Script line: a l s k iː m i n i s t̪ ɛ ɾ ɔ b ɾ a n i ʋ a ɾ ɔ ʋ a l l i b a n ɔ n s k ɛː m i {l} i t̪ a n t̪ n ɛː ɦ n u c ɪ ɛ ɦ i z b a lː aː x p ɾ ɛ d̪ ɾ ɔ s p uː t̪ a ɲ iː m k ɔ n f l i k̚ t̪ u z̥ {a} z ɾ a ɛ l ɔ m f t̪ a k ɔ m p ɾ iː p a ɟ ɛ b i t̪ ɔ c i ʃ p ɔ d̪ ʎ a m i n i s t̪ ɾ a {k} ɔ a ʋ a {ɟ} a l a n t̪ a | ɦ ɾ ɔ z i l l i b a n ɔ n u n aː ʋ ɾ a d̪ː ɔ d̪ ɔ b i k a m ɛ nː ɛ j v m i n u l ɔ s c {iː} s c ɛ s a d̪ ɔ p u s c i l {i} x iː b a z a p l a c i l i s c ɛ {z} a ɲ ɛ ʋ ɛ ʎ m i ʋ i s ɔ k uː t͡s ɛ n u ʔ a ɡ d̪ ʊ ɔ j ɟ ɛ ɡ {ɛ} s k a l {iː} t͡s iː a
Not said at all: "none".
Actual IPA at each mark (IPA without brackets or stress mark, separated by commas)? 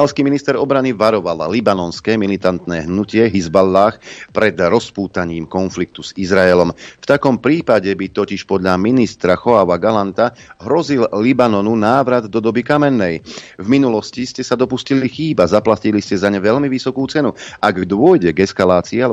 l, i, x, ɡ, i, i, z, ɛ, aː